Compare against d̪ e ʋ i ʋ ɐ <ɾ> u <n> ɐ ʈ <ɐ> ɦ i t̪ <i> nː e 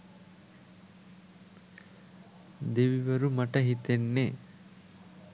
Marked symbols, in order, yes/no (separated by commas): yes, no, yes, no